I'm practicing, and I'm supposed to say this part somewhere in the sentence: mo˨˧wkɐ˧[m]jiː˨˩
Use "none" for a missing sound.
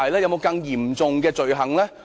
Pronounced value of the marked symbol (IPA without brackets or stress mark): ŋ